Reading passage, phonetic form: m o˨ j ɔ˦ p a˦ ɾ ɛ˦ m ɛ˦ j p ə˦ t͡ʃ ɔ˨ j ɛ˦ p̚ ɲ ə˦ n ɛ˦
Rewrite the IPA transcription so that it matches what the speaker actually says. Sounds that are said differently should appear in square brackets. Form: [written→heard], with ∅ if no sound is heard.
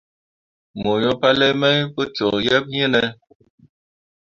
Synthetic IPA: m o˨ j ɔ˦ p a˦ [ɾ→l] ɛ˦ m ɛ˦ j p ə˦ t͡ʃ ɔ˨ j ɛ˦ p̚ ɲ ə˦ n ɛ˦